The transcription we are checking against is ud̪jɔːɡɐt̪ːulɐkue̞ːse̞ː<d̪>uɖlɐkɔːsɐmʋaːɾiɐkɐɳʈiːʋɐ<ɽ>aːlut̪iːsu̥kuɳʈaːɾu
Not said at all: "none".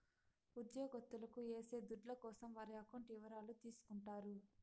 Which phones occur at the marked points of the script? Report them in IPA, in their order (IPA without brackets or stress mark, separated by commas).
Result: d̪, ɾ